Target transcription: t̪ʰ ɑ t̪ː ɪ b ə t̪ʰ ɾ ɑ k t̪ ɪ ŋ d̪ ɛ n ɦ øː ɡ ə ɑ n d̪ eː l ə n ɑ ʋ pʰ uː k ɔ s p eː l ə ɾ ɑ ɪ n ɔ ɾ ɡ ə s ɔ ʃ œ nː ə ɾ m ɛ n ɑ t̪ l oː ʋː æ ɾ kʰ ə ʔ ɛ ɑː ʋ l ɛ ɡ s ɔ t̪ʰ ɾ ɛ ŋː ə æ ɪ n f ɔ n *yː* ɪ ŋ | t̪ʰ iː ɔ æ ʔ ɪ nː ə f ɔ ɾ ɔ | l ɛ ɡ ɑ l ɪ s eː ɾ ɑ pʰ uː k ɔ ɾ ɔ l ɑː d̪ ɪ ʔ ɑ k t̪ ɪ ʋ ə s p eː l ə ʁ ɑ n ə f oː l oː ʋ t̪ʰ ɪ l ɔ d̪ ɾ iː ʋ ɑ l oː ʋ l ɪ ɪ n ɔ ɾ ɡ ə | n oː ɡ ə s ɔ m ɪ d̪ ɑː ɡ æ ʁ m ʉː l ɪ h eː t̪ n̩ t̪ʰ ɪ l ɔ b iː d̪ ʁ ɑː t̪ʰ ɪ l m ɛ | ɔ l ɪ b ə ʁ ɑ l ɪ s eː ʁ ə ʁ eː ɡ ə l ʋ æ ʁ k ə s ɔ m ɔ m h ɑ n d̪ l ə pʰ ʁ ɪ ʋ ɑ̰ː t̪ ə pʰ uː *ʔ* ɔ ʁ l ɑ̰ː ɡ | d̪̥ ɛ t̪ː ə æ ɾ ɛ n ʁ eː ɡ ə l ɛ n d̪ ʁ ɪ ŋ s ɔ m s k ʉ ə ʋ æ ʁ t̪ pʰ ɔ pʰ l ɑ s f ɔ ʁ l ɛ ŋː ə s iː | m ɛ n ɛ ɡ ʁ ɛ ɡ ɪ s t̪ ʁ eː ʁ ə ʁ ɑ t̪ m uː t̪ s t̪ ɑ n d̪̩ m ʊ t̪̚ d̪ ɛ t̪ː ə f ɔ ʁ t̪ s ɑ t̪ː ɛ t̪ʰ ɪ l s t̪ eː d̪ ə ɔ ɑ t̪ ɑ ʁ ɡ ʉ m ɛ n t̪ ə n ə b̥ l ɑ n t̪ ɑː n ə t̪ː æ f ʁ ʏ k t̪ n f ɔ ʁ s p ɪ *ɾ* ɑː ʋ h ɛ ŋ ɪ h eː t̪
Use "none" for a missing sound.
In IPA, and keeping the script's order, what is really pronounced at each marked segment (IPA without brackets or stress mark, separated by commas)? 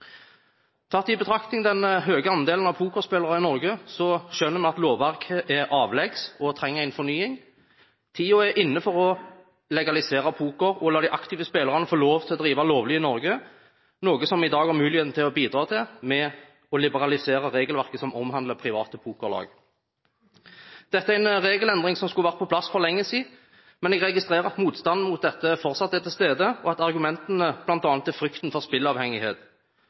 yː, k, l